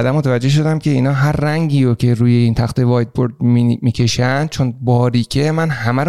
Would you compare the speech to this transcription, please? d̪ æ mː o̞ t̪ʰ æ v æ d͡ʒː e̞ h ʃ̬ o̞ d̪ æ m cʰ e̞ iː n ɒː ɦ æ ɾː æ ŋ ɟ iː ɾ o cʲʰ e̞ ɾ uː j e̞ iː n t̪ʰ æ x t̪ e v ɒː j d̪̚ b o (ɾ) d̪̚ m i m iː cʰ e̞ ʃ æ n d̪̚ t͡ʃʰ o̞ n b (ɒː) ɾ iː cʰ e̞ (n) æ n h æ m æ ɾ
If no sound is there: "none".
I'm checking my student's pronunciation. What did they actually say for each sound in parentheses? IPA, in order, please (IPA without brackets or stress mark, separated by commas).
ɾ, ɒː, m